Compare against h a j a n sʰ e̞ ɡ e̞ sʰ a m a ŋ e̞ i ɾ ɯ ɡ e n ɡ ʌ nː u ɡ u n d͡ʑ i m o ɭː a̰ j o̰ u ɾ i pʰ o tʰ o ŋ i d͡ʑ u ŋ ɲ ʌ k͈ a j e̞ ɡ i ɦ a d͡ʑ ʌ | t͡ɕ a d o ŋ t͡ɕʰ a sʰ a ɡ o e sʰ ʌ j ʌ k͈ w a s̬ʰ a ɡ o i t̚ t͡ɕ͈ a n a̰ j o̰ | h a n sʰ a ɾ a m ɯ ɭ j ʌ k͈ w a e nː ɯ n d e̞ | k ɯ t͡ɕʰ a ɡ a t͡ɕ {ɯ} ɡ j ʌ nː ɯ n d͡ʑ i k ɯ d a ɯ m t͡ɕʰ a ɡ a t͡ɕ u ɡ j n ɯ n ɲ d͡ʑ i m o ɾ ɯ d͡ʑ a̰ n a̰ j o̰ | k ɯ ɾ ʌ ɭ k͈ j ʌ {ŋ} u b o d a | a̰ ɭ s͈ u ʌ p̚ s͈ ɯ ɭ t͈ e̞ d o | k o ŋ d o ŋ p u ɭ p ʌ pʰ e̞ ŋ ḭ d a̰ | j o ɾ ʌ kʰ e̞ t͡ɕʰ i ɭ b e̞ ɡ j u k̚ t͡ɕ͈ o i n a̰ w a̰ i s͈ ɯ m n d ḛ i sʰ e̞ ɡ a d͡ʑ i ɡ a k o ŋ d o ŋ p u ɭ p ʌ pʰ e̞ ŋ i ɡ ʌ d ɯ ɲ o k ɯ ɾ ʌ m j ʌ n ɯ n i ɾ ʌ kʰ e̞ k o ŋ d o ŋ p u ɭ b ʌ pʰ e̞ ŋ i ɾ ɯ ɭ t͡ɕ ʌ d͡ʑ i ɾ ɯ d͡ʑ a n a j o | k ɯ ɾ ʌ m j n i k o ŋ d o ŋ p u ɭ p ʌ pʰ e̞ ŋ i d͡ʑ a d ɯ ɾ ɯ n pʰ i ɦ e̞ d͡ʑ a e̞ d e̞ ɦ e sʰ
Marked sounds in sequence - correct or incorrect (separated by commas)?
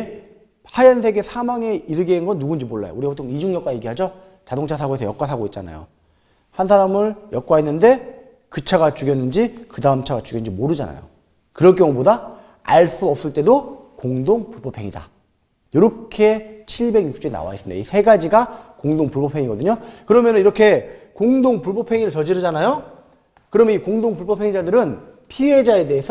incorrect, correct